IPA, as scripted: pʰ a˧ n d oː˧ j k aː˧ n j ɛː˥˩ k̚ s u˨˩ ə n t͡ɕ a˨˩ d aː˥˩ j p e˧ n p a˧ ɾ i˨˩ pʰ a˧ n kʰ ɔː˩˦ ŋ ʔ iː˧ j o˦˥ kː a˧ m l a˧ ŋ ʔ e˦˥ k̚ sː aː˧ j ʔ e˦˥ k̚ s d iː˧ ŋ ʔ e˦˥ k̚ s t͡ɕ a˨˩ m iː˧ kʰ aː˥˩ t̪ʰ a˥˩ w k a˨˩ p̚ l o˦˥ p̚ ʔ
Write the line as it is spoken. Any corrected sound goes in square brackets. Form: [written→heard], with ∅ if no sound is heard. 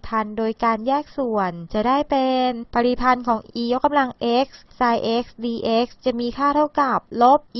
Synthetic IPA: pʰ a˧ n d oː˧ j k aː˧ n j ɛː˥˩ k̚ s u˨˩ ə n t͡ɕ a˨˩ d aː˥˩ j p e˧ n p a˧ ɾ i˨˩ pʰ a˧ n kʰ ɔː˩˦ ŋ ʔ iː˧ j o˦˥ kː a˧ m l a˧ ŋ ʔ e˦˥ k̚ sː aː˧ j ʔ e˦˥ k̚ s d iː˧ [ŋ→∅] ʔ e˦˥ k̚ s t͡ɕ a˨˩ m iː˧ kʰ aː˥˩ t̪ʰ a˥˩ w k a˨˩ p̚ l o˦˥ p̚ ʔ